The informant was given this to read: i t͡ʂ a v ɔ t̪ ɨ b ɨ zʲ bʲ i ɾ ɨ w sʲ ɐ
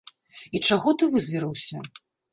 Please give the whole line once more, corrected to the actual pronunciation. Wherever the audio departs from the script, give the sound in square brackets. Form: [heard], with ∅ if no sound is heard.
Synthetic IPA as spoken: i t͡ʂ a [ɣ] ɔ t̪ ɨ [v] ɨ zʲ [vʲ] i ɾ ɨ w sʲ ɐ